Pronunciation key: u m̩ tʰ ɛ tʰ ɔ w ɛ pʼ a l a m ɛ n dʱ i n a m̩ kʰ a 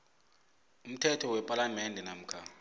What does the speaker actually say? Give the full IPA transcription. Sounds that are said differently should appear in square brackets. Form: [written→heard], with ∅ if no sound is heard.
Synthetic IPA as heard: u m̩ tʰ ɛ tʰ ɔ w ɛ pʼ a l a m ɛ n dʱ [i→ɛ] n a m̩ kʰ a